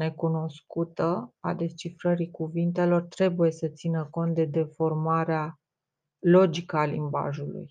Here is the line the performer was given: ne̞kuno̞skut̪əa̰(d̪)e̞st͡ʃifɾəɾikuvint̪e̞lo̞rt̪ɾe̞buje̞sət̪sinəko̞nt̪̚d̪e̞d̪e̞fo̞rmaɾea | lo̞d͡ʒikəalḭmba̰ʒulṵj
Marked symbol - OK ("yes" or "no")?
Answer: yes